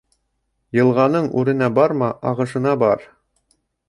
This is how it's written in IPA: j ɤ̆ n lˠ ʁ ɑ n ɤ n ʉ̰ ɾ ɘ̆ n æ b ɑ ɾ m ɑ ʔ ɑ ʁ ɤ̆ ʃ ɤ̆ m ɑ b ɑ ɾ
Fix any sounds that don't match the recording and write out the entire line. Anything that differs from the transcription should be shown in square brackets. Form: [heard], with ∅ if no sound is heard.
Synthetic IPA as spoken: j ɤ̆ [∅] lˠ ʁ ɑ n ɤ [ɴ] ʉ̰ ɾ ɘ̆ n æ b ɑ ɾ m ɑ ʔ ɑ ʁ ɤ̆ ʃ ɤ̆ [n] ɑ b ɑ ɾ